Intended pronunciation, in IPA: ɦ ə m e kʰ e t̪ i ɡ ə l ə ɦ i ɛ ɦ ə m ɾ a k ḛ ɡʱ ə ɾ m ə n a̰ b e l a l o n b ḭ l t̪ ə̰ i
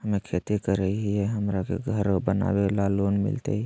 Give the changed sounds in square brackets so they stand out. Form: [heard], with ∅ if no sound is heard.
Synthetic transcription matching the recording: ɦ ə m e kʰ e t̪ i [k] ə [ɾ] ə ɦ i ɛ ɦ ə m ɾ a k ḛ ɡʱ ə ɾ [b] ə n a̰ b e l a l o n [m] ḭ l t̪ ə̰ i